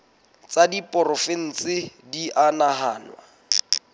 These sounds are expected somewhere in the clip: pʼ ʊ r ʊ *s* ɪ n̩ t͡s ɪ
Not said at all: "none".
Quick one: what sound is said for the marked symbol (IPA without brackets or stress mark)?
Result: f